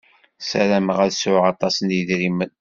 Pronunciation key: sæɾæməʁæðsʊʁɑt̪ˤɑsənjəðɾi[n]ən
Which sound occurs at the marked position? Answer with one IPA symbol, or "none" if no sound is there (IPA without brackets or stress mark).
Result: m